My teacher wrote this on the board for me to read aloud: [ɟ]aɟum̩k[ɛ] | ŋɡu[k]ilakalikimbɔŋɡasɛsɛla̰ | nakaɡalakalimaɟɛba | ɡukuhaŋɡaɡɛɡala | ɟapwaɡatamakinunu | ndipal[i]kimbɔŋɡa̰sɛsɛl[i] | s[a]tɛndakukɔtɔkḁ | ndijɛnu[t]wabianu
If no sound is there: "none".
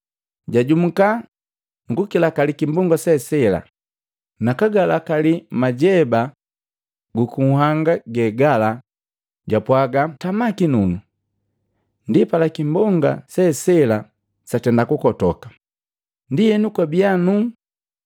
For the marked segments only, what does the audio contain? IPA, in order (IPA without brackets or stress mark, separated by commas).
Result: ɟ, a, k, a, a, a, k